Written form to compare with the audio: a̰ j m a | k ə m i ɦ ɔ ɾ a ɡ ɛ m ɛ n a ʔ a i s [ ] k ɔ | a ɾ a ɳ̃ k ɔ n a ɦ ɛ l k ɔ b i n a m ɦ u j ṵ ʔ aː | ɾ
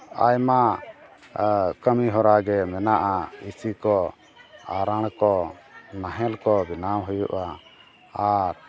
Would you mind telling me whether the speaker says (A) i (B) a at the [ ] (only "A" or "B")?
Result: A